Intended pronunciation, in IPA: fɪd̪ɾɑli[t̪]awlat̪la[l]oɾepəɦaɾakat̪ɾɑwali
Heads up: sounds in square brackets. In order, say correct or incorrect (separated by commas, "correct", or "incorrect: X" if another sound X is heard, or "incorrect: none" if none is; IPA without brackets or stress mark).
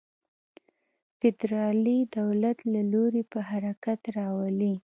incorrect: d̪, correct